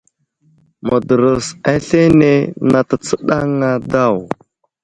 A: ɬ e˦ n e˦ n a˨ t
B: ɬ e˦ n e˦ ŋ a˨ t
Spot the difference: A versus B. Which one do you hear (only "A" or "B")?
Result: A